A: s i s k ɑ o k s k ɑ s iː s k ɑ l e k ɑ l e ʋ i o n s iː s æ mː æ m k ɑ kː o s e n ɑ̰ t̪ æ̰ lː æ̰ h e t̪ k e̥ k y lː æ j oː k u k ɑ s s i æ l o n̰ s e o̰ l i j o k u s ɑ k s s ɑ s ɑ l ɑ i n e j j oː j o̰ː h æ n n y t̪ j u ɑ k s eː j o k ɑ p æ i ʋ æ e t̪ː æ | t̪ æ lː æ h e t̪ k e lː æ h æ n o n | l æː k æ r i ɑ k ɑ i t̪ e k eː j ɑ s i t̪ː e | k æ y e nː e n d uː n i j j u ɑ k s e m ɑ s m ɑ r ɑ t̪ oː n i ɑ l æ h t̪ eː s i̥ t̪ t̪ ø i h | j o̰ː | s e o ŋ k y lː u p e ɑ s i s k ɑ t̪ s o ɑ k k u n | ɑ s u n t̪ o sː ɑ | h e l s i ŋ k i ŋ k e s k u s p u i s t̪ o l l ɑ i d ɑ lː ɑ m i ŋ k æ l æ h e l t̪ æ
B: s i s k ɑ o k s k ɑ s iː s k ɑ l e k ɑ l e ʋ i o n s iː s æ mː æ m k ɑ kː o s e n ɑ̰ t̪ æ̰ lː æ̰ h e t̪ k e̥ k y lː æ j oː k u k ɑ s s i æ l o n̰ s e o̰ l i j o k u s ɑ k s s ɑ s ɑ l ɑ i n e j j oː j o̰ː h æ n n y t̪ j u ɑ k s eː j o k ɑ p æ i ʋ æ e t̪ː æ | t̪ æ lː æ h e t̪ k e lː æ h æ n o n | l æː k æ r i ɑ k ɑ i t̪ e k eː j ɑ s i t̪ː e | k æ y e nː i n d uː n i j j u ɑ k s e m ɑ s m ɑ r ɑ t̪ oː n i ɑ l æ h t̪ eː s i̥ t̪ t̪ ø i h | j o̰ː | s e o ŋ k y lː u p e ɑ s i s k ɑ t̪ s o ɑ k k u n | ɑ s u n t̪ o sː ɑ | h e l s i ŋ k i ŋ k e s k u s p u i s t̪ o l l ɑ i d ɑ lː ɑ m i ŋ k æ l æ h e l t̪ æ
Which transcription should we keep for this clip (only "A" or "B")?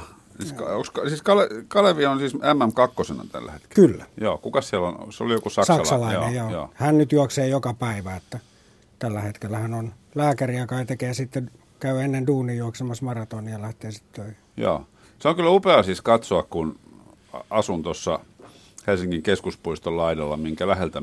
A